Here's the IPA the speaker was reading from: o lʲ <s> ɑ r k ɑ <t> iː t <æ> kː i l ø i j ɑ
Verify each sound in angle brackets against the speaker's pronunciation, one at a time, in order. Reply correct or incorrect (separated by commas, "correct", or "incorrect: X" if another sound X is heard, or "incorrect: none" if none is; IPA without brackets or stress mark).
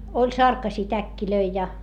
correct, incorrect: s, correct